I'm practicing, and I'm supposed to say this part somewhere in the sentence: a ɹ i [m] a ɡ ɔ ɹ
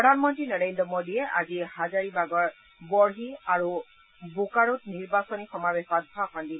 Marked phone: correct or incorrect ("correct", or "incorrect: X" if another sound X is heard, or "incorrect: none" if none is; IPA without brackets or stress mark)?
incorrect: b